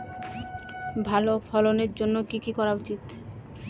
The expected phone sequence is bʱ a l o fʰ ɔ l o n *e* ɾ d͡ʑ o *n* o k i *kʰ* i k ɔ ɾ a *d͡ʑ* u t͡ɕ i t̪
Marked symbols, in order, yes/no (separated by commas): yes, no, no, no